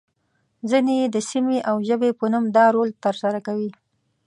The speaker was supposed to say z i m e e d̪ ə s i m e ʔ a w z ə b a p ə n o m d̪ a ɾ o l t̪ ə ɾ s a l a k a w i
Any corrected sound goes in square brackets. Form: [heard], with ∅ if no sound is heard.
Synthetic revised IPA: z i [n] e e d̪ ə s i m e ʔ a w [ʒ] ə b [e] p ə n [u] m d̪ [ɑ] ɾ o l t̪ ə ɾ s a [ɾ] a k a w i